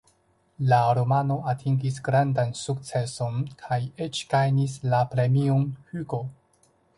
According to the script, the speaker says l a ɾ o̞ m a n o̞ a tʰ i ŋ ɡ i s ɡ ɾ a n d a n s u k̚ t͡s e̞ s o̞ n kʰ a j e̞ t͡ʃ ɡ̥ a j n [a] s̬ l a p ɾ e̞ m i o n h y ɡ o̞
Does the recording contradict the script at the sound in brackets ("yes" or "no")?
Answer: yes